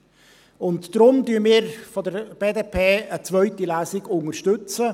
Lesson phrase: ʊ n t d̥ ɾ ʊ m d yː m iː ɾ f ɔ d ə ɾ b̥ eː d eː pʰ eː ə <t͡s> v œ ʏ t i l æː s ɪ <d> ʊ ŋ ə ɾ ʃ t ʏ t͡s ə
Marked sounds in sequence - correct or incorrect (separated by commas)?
correct, incorrect